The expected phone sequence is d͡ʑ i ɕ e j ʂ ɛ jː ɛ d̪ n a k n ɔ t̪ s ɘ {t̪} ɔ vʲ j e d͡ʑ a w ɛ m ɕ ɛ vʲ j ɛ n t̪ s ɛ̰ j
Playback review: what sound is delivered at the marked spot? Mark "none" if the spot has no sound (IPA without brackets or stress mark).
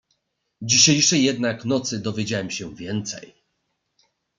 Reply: d̪